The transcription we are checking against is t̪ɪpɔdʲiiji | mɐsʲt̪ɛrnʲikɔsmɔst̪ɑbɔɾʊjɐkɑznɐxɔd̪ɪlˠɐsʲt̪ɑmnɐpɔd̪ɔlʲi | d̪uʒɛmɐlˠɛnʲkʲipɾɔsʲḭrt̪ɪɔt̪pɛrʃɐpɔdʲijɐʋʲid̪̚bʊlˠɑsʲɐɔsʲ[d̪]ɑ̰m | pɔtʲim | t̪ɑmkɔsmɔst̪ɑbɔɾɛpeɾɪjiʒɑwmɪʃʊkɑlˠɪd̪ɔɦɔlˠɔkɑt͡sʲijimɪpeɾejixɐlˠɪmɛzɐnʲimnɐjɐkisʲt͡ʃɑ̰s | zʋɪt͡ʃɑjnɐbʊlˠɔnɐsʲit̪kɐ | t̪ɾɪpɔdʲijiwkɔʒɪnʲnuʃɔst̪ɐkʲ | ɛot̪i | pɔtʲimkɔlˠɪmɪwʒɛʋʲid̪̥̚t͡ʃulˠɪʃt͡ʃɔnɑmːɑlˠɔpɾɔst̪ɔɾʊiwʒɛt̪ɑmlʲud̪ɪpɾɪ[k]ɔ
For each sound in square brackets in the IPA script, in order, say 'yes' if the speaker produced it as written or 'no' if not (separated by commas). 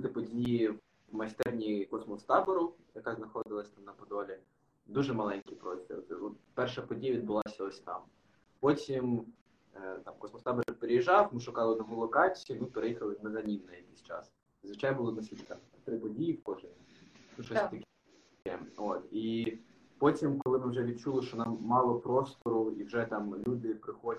no, no